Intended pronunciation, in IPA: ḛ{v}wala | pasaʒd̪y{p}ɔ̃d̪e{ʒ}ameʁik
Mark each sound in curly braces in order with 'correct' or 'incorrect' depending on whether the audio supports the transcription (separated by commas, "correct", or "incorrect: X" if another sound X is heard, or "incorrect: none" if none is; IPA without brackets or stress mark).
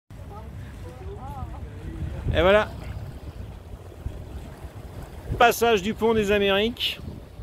correct, correct, incorrect: z